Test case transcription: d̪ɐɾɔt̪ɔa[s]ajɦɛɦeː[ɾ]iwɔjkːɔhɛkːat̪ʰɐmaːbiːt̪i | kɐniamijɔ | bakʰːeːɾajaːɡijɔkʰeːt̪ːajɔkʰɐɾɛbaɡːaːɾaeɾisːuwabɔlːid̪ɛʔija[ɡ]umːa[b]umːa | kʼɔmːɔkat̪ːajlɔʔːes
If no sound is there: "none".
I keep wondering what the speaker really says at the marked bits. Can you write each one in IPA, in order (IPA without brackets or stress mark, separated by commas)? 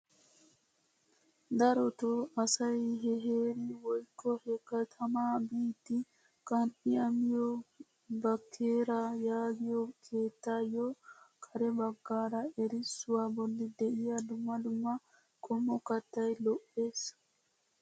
s, ɾ, d, d